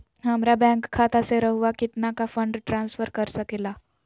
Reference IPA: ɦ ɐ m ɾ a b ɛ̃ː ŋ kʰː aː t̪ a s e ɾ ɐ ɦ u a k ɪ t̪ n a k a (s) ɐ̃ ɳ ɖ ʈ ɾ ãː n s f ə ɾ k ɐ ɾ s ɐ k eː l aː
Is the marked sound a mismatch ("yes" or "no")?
yes